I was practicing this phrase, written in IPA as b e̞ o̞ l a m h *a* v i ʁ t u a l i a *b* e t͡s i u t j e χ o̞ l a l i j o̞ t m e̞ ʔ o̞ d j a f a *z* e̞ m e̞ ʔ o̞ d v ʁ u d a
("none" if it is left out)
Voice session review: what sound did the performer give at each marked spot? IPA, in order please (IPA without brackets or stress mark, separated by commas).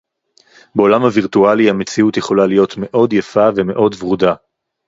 a, m, v